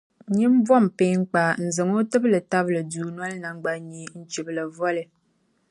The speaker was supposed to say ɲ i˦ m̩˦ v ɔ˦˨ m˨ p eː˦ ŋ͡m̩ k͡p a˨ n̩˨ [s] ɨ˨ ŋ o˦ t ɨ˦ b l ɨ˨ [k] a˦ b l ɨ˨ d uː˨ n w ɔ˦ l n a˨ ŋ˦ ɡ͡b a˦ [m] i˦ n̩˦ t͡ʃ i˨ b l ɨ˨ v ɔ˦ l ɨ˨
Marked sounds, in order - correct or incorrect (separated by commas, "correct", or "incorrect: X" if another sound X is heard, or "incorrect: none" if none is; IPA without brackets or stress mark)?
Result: incorrect: z, incorrect: t, incorrect: ɲ